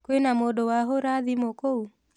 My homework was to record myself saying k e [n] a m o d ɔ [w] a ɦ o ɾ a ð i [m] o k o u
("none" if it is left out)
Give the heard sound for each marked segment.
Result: n, w, m

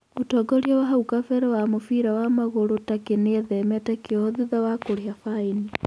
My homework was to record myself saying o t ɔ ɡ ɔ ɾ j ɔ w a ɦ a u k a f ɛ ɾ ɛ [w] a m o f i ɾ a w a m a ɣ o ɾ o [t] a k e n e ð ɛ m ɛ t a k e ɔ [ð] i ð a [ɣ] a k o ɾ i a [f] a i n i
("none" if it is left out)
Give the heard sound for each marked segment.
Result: w, t, ð, w, f

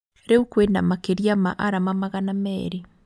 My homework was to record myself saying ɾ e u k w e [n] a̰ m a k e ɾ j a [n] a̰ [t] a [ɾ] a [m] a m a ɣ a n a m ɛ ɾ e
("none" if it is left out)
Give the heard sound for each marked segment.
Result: n, m, ʔ, ɾ, m

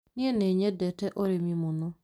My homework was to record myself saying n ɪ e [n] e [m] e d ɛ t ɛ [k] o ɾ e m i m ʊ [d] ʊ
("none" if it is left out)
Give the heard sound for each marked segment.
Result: n, ɲ, ʔ, n

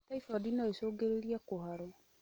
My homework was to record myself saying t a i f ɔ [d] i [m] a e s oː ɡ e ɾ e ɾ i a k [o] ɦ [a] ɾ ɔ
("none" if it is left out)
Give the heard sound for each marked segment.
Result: d, n, o, a

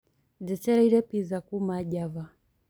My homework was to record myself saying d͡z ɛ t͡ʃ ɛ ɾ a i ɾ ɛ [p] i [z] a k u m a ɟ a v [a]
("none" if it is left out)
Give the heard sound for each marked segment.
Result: p, z, a

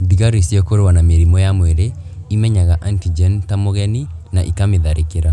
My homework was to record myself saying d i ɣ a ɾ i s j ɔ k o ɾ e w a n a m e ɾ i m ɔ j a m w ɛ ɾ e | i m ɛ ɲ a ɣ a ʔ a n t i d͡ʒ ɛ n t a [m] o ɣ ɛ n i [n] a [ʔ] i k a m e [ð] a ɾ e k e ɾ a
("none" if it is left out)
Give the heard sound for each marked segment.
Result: m, n, ʔ, ð

